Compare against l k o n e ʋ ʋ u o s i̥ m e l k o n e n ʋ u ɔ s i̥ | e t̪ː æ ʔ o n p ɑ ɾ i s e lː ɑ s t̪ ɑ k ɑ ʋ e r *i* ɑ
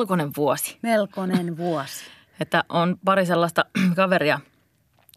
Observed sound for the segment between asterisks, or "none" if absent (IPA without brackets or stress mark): i